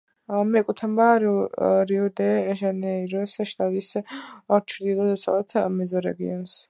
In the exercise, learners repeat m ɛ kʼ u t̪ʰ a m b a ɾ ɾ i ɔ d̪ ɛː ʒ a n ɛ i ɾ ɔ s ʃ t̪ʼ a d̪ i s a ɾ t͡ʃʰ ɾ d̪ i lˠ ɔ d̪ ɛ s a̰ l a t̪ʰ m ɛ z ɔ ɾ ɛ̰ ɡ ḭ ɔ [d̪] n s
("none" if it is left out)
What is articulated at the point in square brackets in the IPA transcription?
none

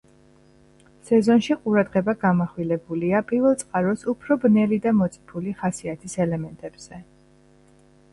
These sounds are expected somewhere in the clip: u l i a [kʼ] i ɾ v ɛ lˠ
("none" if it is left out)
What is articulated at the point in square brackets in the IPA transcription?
pʼ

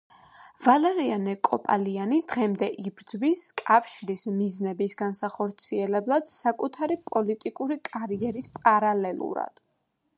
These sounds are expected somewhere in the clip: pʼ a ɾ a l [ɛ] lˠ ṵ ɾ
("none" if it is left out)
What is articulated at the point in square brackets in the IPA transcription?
ɛ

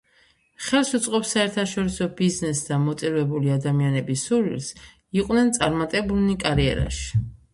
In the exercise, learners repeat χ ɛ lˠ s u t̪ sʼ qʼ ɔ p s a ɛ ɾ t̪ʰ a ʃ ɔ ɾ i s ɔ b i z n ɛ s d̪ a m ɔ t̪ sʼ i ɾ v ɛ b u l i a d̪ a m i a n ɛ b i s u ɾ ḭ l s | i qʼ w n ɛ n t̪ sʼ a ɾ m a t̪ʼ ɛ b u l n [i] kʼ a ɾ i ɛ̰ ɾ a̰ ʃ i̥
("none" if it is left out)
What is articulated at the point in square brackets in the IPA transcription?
i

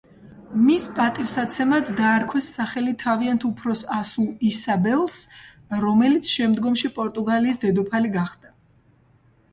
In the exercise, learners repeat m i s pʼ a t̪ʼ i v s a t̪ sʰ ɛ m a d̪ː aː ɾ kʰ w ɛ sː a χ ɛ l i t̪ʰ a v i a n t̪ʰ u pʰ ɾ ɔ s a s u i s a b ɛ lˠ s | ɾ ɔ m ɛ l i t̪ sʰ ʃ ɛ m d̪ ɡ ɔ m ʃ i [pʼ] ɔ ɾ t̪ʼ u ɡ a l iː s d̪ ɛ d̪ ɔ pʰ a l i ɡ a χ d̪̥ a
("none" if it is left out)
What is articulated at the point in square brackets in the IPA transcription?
pʼ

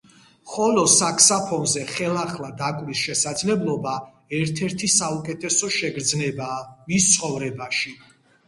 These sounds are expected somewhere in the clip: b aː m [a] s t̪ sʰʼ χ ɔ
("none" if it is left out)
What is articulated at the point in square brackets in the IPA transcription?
i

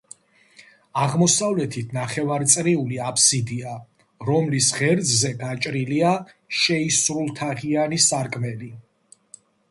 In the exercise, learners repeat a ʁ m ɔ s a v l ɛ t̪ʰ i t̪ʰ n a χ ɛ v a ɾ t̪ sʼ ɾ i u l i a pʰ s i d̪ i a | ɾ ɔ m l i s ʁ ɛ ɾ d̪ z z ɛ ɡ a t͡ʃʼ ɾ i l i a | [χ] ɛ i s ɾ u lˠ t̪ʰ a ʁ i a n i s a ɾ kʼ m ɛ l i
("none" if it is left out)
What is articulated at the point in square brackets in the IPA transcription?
ʃ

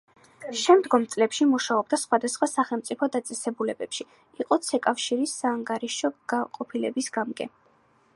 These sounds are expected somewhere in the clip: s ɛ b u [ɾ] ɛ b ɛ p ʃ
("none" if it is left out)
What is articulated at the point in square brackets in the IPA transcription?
l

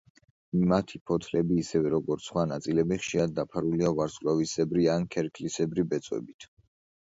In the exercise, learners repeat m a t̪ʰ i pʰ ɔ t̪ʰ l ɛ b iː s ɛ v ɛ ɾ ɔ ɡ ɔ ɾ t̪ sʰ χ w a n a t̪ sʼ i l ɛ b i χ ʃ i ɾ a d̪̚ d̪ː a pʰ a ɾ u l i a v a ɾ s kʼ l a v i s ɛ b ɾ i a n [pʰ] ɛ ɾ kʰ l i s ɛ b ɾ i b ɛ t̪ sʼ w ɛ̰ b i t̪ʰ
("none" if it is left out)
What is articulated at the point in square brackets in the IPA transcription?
kʰ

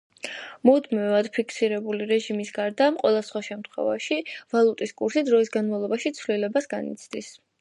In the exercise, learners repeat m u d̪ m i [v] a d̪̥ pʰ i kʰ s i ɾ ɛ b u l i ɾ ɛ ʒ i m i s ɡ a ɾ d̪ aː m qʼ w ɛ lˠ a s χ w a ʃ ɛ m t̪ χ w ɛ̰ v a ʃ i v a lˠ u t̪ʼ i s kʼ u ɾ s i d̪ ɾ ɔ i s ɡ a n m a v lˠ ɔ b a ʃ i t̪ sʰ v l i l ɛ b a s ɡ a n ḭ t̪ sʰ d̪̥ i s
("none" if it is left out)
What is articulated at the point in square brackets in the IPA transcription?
v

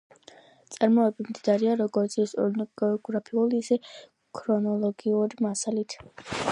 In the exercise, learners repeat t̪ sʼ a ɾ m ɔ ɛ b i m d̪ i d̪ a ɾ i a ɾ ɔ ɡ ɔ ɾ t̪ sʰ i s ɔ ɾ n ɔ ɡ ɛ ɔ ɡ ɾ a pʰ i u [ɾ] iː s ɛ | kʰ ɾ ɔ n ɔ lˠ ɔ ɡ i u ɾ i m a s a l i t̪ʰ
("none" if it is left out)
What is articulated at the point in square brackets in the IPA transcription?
l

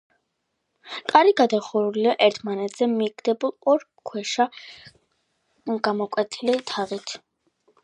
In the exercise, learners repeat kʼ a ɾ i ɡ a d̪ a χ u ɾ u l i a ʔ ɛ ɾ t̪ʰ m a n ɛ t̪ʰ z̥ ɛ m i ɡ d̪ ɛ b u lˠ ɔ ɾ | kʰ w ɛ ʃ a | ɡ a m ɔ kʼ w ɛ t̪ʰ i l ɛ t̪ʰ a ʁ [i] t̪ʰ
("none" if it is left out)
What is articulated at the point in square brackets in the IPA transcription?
i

